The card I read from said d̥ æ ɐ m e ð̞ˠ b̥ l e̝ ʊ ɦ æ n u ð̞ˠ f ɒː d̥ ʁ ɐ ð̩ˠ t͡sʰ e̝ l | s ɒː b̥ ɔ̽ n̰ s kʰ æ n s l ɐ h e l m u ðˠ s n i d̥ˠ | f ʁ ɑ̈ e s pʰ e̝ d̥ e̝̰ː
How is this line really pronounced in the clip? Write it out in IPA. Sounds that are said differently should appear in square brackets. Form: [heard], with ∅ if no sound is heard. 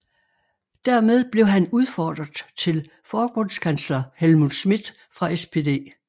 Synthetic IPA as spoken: d̥ æ ɐ m e ð̞ˠ b̥ l e̝ ʊ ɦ æ n u ð̞ˠ f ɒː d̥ ʁ ɐ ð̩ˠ t͡sʰ e̝ l | [f] ɒː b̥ ɔ̽ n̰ s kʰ æ n s l ɐ h e l m u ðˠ s [m] i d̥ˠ | f ʁ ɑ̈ e s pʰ e̝ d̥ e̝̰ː